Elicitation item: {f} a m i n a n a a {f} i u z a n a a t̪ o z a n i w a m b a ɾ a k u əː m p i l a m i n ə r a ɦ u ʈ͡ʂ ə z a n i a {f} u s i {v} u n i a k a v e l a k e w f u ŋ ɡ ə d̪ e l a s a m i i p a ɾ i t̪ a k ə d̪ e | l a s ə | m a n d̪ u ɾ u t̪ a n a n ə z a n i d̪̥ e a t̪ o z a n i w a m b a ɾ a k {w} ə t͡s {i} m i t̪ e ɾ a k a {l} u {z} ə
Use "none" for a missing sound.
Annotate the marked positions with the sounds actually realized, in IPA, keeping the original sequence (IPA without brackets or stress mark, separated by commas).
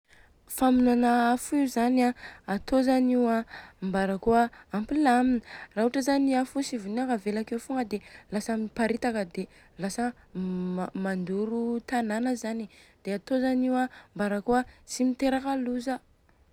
f, f, f, v, u, i, l, z